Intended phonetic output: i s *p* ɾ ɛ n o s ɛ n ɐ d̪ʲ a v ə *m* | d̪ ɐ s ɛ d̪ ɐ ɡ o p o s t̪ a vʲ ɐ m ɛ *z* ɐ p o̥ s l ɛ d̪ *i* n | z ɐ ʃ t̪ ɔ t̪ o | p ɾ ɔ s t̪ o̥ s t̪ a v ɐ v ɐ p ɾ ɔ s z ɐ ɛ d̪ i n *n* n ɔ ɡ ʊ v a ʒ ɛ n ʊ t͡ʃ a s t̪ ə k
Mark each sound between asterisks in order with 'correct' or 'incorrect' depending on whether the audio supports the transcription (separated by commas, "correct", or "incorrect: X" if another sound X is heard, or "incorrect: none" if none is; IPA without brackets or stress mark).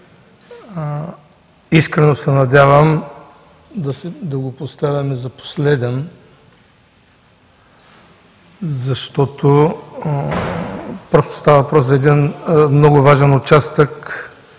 incorrect: k, correct, correct, incorrect: ɛ, incorrect: m